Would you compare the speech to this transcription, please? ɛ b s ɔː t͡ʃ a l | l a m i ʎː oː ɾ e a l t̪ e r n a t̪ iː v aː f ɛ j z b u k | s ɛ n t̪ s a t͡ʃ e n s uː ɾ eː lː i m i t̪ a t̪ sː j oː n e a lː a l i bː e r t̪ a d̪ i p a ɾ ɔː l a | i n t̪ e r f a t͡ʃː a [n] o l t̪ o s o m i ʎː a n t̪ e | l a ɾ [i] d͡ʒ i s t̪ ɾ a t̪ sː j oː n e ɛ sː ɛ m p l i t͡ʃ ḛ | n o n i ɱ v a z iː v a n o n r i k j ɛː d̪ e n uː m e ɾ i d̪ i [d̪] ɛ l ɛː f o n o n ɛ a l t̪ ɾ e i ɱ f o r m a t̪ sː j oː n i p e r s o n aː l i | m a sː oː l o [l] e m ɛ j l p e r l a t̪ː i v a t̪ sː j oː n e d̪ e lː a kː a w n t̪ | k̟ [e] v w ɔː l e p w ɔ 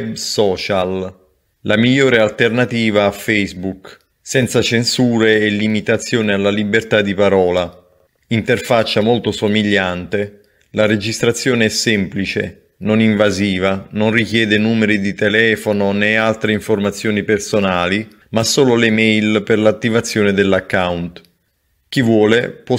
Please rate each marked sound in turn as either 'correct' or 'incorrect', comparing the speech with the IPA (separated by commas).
incorrect, incorrect, incorrect, correct, incorrect